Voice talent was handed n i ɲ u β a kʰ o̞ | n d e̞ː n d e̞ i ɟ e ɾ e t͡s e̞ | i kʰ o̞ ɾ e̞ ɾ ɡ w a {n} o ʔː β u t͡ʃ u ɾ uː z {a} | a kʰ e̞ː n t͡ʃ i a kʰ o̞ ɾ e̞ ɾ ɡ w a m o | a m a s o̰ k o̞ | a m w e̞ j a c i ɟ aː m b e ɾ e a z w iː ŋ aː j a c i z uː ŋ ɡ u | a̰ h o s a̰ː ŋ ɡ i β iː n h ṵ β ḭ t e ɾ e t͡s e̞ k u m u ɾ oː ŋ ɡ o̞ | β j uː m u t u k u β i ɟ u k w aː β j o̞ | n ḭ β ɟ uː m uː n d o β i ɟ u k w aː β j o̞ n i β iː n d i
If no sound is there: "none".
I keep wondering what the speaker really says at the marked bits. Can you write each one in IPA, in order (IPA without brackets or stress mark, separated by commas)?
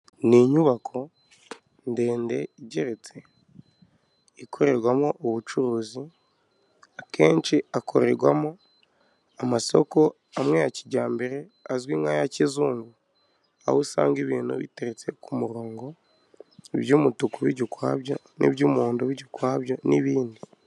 m, i